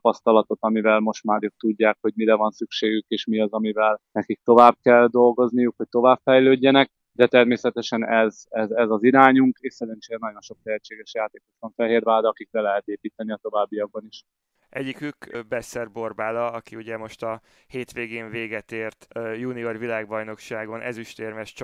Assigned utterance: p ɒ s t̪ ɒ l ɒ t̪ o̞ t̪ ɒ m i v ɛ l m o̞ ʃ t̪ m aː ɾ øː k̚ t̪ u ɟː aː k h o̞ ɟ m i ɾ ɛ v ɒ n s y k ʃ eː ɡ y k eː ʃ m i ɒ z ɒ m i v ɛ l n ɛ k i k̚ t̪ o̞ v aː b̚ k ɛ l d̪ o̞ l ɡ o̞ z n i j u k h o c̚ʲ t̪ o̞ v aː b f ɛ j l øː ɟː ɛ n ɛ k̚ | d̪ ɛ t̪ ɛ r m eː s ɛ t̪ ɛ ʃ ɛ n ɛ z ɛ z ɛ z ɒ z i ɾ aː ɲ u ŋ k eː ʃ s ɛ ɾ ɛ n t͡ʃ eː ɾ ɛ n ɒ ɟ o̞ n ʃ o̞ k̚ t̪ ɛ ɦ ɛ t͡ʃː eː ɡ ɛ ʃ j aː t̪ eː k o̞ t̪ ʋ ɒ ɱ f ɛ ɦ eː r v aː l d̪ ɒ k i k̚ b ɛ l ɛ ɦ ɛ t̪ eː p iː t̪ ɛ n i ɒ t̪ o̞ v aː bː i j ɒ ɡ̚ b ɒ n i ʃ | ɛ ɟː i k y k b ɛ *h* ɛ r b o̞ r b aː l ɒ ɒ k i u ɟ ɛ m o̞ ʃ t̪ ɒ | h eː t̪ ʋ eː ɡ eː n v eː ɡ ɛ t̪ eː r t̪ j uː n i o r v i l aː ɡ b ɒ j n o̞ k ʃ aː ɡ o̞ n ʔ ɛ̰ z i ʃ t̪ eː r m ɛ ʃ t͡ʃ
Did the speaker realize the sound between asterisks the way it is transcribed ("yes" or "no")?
no